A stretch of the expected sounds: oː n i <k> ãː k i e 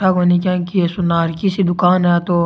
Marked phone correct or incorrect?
correct